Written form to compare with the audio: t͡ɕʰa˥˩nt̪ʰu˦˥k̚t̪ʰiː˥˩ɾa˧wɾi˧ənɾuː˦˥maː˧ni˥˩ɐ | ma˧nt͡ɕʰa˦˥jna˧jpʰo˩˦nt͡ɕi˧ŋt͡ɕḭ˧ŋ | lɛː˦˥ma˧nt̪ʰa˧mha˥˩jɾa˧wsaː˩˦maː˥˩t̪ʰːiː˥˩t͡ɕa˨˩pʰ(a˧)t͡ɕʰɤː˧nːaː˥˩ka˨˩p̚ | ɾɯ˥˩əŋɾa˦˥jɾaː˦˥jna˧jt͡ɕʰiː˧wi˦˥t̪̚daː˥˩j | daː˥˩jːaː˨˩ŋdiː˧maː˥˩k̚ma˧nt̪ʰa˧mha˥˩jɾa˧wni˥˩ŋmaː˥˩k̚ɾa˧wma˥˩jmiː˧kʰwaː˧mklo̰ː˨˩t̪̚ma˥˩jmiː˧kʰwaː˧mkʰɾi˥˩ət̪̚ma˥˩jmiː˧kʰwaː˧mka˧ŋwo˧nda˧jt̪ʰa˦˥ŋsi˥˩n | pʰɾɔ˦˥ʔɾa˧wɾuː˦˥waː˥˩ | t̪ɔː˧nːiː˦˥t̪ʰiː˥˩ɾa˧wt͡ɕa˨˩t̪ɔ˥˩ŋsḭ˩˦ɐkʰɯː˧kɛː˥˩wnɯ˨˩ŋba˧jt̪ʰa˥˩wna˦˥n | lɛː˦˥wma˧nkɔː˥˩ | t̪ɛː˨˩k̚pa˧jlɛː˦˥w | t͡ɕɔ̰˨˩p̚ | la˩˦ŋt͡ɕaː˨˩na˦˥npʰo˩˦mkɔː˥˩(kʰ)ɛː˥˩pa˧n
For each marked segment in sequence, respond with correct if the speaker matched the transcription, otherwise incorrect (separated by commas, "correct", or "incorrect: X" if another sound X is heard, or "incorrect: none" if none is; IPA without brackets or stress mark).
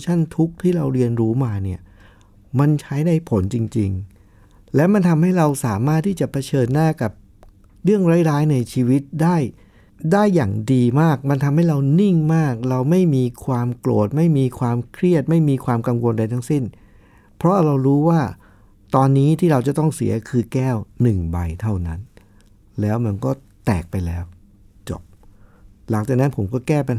correct, incorrect: k